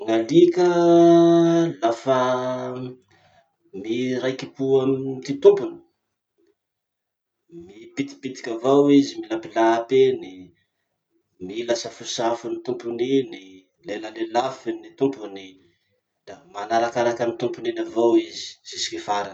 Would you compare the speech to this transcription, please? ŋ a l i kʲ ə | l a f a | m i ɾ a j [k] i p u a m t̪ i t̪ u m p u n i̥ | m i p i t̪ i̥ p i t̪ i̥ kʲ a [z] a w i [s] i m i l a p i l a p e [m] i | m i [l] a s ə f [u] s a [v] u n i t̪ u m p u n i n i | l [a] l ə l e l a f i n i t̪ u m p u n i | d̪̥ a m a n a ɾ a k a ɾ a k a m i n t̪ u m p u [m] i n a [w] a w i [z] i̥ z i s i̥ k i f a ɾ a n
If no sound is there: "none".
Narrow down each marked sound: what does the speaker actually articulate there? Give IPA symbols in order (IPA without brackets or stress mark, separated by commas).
k, v, z, n, l, u, f, e, n, v, z